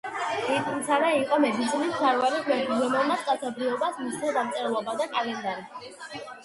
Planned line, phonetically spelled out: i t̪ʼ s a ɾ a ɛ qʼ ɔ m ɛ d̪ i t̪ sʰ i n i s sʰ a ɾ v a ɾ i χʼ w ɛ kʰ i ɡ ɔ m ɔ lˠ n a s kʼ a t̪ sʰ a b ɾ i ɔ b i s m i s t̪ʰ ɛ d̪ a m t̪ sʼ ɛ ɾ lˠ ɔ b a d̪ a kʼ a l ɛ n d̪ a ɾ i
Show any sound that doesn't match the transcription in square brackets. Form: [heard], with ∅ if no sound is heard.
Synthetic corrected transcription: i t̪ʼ s a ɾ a [i] qʼ ɔ m ɛ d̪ i t̪ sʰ i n i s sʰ a ɾ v a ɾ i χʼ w ɛ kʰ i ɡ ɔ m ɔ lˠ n a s kʼ a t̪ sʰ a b ɾ i ɔ b [a] s m i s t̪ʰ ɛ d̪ a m t̪ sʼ ɛ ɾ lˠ ɔ b a d̪ a kʼ a l ɛ n d̪ a ɾ i

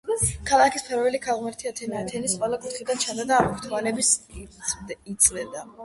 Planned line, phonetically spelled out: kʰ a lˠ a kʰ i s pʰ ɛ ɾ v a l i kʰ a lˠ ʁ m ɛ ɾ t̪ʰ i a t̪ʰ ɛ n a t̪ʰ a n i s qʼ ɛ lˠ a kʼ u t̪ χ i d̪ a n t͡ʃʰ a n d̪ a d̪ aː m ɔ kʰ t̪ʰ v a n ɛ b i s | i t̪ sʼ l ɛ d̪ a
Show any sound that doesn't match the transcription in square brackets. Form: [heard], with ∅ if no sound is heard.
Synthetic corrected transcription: kʰ a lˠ a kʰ i s pʰ ɛ ɾ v [ɛ] l i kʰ a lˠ ʁ m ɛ ɾ t̪ʰ i a t̪ʰ ɛ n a t̪ʰ [ɛ] n i s qʼ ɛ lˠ a kʼ u t̪ χ i d̪ a n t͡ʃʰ a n d̪ a d̪ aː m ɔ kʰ t̪ʰ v a n ɛ b i s | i t̪ sʼ l ɛ d̪ a

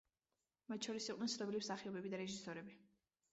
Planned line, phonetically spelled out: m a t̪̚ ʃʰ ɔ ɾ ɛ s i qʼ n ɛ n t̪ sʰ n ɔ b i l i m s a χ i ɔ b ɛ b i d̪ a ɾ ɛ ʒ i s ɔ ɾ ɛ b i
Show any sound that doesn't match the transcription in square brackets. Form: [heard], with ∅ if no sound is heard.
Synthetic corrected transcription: m a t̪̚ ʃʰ ɔ ɾ [i] s i qʼ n ɛ n t̪ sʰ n ɔ b i l i m s a χ i ɔ b ɛ b i d̪ a ɾ ɛ ʒ i s ɔ ɾ ɛ b i

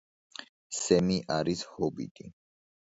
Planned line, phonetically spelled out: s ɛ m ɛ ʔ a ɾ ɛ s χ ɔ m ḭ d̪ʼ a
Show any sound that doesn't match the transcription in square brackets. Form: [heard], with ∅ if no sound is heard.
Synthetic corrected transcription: s ɛ m [i] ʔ a ɾ [i] s [h] ɔ [b] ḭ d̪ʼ [i]

